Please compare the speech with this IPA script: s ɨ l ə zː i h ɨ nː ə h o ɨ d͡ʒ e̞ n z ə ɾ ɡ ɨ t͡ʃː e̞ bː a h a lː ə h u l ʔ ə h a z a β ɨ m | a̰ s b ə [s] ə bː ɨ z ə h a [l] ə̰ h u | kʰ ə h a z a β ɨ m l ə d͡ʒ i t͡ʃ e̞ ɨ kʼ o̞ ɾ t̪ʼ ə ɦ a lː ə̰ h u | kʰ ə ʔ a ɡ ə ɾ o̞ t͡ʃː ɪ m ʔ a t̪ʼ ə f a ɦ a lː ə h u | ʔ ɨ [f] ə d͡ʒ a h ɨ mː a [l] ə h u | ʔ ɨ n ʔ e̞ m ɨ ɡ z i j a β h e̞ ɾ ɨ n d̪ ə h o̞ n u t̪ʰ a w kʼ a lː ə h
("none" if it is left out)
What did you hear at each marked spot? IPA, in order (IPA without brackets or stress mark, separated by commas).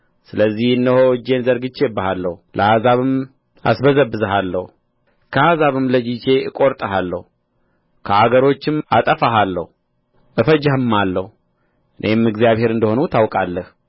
z, lː, f, lː